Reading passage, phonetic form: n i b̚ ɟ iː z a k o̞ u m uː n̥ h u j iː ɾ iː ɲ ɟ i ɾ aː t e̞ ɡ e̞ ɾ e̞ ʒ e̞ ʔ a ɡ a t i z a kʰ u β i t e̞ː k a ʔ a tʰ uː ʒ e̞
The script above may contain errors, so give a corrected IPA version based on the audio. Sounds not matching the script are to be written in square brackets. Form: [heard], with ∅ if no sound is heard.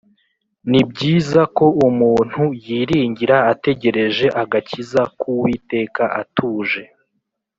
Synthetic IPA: n i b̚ ɟ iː z a k o̞ u m uː n̥ h u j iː ɾ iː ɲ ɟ i ɾ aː t e̞ [ɟ] e̞ ɾ e̞ ʒ e̞ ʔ a ɡ a [c] i z a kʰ u [w] i t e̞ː k a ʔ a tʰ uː ʒ e̞